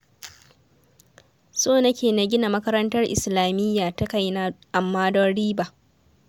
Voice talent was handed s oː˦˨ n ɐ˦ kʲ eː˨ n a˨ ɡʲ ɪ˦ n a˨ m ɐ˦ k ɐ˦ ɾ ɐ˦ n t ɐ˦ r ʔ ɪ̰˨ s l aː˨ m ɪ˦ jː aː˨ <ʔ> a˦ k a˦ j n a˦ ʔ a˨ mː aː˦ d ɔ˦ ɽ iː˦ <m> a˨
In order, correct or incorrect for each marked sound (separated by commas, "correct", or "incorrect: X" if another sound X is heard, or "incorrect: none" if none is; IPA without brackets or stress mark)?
incorrect: t, incorrect: b